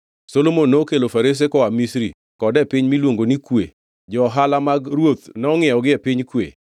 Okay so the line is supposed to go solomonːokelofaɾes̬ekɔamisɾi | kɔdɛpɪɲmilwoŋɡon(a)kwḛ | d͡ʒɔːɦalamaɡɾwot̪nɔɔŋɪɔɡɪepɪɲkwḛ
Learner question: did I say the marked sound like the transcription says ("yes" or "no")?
no